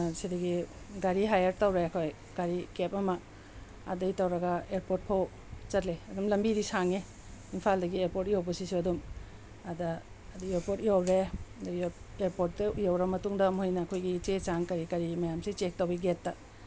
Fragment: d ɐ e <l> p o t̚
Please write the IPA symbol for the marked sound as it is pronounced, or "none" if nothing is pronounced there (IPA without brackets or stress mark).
ɾ